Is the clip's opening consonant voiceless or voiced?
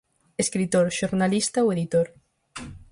voiceless